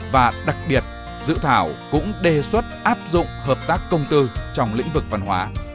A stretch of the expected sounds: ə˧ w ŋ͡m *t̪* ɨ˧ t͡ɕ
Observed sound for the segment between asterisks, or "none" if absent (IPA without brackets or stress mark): t̪